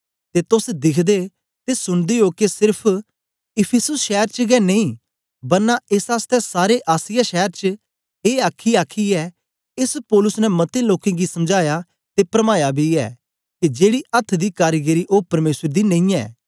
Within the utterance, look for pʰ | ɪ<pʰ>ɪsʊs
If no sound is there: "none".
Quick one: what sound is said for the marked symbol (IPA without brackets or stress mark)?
pʰ